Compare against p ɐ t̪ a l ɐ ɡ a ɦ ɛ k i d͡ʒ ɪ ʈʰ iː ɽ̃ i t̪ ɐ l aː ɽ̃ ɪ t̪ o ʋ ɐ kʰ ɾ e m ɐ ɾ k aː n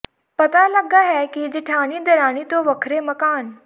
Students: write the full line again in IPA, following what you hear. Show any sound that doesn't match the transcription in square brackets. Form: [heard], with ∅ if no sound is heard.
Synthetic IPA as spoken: p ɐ t̪ a l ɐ ɡ a ɦ ɛ k i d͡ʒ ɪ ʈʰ [aː] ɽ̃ i [d̪] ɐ [ɾ] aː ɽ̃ [i] t̪ o ʋ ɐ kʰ ɾ e m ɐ [∅] k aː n